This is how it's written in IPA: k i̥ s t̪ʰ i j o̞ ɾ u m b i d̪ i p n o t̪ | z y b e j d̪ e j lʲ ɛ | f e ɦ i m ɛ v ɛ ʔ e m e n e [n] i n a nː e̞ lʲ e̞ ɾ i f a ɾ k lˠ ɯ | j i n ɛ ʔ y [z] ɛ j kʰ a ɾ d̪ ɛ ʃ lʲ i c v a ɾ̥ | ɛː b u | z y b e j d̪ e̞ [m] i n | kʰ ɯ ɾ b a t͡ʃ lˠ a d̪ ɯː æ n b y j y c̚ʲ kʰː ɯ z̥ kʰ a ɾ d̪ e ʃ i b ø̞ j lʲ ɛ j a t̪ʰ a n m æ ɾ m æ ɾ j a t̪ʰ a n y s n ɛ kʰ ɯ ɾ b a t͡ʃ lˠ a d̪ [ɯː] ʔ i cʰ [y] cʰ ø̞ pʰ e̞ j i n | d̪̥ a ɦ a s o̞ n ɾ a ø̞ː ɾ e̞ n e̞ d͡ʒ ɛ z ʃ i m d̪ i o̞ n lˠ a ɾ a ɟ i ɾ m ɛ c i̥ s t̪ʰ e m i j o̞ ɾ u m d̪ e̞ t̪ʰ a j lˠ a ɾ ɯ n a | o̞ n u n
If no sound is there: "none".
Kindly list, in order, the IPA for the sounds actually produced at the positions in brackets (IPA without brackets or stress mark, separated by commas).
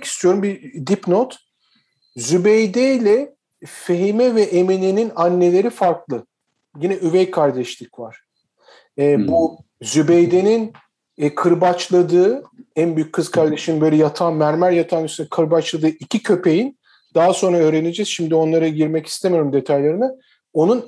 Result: n, v, n, ɯː, i